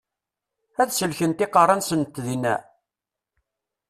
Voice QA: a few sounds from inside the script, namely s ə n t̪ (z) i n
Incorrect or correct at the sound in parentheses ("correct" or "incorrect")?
incorrect